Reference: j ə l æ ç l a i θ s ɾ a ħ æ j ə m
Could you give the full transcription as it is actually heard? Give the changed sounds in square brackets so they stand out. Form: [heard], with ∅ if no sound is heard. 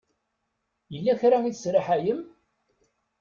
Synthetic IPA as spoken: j ə [lː] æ ç [ɾ] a i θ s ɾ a ħ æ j ə m